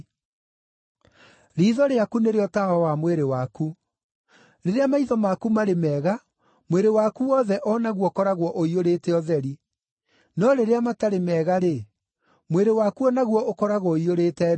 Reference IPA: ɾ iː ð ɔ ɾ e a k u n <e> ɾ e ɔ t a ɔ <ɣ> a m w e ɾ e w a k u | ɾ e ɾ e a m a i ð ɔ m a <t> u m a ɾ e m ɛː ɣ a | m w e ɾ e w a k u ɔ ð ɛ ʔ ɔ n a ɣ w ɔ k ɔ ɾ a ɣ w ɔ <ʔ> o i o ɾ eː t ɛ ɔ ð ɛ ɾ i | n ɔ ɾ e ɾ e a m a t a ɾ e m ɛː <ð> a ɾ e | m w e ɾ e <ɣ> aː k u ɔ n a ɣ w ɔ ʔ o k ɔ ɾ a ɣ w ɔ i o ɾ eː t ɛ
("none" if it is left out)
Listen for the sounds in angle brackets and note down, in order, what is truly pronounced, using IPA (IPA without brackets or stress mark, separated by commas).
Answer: e, w, k, ʔ, ɣ, w